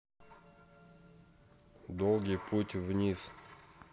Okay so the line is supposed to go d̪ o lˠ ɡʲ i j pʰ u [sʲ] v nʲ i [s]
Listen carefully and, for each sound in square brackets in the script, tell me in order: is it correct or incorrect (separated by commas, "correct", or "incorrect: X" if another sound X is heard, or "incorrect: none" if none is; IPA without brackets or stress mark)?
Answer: incorrect: tʲ, correct